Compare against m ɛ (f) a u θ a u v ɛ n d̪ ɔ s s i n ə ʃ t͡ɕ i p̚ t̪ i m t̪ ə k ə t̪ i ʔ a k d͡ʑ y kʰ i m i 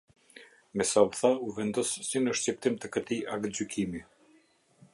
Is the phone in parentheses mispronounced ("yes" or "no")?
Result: yes